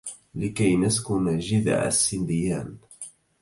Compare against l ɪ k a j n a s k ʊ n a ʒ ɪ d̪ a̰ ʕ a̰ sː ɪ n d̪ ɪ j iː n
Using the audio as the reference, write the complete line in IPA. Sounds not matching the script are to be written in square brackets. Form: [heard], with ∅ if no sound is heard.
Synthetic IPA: l ɪ k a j n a s k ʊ n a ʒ ɪ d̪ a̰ ʕ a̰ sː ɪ n d̪ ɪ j [aː] n